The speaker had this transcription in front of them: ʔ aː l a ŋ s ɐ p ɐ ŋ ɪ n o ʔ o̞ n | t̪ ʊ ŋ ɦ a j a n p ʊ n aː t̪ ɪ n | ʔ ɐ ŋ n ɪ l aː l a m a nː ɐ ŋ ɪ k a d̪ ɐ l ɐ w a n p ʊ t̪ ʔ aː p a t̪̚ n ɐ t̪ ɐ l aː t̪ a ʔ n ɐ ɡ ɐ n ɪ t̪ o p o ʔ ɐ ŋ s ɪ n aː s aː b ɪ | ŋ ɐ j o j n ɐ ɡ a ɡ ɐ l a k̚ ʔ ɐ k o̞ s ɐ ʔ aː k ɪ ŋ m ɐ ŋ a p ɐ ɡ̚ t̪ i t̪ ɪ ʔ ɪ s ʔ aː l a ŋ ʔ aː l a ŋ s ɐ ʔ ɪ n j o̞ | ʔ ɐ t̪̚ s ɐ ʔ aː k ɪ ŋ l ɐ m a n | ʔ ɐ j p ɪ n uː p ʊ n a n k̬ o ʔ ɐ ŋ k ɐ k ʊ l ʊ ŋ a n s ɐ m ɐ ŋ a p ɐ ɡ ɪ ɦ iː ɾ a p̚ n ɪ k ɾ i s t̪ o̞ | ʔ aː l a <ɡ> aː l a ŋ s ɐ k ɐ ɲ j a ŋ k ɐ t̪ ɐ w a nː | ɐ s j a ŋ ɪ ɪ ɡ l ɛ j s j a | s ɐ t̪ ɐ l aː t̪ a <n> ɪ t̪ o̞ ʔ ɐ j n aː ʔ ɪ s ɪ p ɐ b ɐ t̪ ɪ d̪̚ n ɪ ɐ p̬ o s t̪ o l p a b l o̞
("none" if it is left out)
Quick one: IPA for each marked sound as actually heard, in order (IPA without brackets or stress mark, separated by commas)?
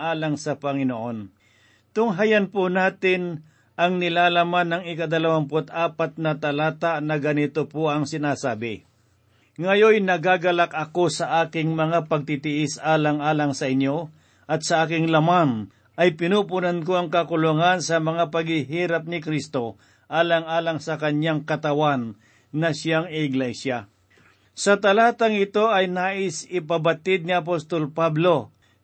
ŋ, ŋ